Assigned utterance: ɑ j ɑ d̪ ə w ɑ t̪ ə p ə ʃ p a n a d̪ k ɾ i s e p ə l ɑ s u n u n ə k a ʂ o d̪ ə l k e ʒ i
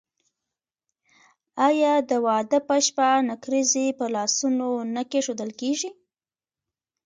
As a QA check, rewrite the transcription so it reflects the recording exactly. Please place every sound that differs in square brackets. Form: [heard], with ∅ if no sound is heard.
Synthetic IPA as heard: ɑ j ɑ d̪ ə w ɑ [d̪] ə p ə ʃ p a n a [∅] k ɾ i [z] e p ə l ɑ s u n [o] n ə k [e] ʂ o d̪ ə l k e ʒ i